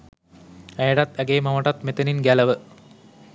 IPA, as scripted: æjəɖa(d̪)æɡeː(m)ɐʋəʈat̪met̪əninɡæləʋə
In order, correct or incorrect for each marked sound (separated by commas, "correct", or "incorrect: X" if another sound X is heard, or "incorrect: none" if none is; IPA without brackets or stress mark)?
incorrect: t̪, correct